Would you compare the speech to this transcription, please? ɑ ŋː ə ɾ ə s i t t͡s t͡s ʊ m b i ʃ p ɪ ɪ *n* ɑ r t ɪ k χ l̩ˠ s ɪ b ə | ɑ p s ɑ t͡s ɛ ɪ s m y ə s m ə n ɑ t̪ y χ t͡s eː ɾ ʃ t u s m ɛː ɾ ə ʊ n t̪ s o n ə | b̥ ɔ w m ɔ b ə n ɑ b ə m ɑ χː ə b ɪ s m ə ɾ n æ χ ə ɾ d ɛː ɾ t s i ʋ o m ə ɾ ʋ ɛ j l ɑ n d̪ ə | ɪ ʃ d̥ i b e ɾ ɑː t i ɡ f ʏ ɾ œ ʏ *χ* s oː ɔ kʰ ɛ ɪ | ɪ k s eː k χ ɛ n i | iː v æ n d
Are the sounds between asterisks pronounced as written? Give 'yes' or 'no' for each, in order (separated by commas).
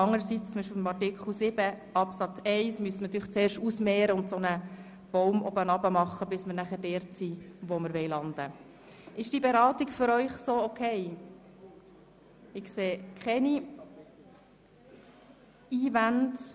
no, yes